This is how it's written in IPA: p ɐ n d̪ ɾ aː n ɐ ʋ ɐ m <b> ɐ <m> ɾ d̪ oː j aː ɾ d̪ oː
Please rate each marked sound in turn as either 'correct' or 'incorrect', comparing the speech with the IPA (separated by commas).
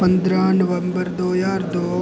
correct, incorrect